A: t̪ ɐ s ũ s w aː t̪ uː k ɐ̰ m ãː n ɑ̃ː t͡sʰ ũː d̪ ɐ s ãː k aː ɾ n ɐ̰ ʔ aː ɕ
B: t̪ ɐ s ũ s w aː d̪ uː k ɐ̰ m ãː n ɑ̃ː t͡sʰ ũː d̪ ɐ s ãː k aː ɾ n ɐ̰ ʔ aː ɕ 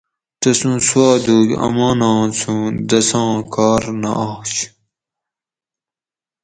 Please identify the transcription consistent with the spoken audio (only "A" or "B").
B